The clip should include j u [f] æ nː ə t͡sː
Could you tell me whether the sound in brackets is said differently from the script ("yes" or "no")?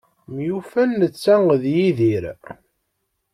no